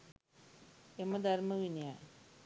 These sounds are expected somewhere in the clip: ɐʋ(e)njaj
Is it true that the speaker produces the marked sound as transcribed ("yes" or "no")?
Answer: no